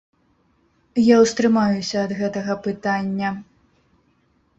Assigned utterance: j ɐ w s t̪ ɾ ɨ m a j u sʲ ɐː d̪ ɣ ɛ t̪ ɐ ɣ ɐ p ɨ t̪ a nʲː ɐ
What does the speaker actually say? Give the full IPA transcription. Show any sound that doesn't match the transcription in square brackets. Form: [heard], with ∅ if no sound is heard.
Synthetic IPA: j [a] w s t̪ ɾ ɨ m a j u sʲ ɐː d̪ ɣ ɛ t̪ ɐ ɣ ɐ p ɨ t̪ a nʲː ɐ